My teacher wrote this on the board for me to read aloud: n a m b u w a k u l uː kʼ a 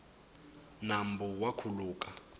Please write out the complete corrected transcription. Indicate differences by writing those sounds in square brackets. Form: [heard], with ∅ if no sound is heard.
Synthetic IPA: n a m b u w a [kʰ] u l uː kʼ a